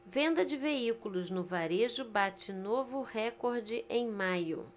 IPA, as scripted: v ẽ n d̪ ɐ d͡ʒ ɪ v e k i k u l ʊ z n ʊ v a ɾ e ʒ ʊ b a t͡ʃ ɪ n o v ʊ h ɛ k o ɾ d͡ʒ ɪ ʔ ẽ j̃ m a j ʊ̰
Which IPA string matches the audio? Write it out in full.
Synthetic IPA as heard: v ẽ n d̪ ɐ d͡ʒ ɪ v e i k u l ʊ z n ʊ v a ɾ e ʒ ʊ b a t͡ʃ ɪ n o v ʊ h ɛ k o ɾ d͡ʒ ɪ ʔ ẽ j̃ m a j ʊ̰